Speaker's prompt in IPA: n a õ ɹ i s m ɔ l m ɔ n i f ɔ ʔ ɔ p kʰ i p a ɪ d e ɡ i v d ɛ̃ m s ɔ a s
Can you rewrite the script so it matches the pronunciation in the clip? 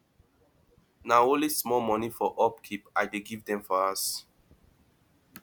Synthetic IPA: n a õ l i s m ɔ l m ɔ n i f ɔ ʔ ɔ p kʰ i p a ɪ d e ɡ i v d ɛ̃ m f ɔ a s